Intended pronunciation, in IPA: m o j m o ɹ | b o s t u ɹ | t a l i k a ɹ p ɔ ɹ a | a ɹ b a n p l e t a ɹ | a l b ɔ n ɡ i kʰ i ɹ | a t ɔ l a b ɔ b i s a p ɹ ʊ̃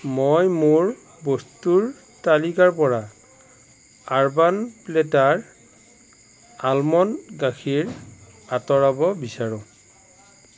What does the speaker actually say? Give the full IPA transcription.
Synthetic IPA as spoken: m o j m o ɹ | b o s t u ɹ | t a l i k a ɹ p ɔ ɹ a | a ɹ b a n p l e t a ɹ | a l m ɔ n ɡ a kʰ i ɹ | a t ɔ ɹ a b ɔ b i s a ɹ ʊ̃